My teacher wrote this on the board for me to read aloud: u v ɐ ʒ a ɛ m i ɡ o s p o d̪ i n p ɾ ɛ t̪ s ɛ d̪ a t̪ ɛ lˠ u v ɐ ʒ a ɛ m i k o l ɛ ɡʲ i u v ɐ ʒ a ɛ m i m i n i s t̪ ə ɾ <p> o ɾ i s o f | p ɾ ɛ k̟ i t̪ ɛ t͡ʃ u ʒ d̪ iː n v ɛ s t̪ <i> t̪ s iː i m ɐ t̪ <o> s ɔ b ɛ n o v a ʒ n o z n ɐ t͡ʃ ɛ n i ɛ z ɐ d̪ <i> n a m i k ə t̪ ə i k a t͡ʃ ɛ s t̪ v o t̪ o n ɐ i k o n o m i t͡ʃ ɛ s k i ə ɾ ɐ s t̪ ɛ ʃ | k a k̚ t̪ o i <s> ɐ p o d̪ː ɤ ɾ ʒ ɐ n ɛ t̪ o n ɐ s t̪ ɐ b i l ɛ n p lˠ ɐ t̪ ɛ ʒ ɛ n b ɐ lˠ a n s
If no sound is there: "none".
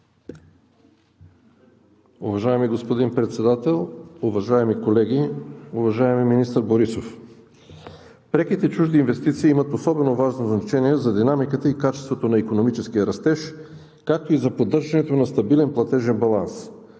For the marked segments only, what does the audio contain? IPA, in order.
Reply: b, i, o, i, z

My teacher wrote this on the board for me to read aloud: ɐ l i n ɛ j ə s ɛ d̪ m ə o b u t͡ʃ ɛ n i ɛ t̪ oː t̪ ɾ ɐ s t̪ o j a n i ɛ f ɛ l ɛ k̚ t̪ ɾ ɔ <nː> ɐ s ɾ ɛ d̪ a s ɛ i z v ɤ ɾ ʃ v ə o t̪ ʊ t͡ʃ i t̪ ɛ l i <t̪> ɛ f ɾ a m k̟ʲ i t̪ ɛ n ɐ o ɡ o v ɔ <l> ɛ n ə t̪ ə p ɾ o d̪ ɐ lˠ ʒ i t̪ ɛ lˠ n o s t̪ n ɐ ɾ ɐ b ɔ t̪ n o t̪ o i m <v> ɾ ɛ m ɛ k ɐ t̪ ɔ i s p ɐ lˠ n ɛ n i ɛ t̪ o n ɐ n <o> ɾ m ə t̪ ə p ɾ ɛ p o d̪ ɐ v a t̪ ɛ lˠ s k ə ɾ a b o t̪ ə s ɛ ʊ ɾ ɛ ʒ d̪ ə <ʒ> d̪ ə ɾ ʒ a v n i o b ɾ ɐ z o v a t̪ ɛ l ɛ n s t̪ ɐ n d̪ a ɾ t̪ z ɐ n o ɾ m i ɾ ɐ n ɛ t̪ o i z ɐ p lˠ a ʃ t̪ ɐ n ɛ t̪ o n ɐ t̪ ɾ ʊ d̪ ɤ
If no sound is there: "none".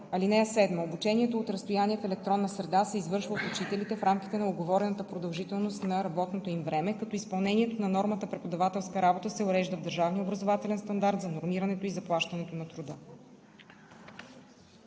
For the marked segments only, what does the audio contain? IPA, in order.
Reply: nː, t̪, ɾ, v, ɔ, v

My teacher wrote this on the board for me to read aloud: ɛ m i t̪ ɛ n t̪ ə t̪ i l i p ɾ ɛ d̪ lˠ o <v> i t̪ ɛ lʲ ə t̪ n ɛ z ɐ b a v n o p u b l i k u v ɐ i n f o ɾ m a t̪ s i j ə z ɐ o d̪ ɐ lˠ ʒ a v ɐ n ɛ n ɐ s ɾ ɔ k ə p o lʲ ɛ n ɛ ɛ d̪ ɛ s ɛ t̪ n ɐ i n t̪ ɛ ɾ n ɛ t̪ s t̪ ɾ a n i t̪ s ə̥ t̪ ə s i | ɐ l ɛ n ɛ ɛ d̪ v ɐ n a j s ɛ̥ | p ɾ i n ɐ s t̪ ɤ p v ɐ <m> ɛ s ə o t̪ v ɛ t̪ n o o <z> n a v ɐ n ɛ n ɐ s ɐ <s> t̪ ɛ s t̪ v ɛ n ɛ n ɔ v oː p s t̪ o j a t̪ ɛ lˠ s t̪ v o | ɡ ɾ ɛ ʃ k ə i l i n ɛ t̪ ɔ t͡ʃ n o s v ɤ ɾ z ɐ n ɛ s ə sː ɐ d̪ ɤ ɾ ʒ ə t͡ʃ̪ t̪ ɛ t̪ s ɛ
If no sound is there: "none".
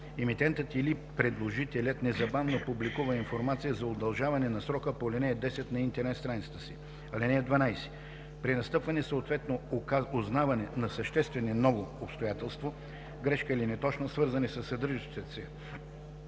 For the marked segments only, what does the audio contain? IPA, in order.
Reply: ʒ, n, z, ʃ

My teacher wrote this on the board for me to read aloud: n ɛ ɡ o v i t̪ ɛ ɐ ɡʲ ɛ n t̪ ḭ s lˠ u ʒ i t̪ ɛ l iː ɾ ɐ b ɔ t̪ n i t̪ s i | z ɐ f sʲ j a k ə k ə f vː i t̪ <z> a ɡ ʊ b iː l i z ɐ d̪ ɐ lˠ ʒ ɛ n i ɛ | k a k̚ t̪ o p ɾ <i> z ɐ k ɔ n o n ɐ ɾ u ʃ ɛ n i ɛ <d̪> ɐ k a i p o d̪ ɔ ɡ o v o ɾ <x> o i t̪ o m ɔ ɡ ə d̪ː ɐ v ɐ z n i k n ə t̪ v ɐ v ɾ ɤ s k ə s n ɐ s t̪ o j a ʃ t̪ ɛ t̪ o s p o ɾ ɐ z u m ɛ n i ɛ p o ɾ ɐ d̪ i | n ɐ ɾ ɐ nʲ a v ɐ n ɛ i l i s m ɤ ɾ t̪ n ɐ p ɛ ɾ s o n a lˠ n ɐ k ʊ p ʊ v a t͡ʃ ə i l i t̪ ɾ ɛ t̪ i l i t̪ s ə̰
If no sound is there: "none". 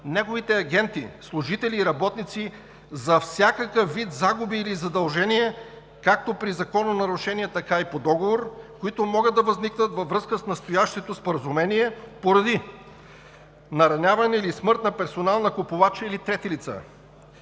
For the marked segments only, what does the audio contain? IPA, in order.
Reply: z, i, t̪, k

